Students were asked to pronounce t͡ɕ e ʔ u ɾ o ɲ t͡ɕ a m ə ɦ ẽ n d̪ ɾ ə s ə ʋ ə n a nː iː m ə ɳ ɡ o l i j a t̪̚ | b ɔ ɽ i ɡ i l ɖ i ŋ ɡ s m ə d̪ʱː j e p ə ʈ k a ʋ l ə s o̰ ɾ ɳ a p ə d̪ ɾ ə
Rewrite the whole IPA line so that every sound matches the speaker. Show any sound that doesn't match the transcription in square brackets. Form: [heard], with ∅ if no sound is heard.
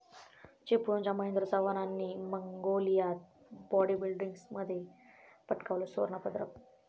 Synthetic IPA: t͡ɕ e [p] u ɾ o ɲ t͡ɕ a m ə ɦ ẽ n d̪ ɾ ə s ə ʋ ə n a nː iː m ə [ŋ] ɡ o l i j a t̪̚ | b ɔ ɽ i [b] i l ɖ i ŋ ɡ s m ə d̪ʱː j e p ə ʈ k a ʋ l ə s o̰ ɾ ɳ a p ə d̪ ɾ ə